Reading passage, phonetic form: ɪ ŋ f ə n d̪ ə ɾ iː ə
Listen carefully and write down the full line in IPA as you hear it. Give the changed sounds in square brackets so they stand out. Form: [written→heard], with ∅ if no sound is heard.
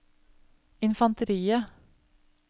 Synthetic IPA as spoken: ɪ [ŋ→n] f [ə→ɑ] n [d̪→t̪] ə ɾ iː ə